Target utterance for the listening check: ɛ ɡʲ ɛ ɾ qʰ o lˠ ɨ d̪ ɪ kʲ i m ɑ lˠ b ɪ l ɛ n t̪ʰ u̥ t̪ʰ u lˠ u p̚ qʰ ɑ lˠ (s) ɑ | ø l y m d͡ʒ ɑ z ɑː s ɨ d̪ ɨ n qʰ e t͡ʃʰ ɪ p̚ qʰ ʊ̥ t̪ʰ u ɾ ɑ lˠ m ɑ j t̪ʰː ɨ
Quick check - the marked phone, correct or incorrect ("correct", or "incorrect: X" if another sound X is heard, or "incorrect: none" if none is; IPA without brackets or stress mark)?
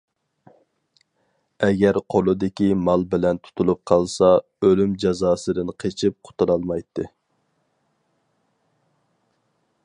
correct